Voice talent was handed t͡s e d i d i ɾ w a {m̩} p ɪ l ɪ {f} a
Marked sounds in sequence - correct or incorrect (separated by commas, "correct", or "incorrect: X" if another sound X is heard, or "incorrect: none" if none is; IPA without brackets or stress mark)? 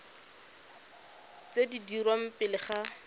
correct, incorrect: χ